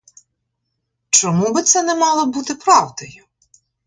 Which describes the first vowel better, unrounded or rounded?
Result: rounded